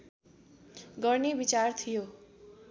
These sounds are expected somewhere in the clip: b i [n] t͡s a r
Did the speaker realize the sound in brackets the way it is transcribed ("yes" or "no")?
no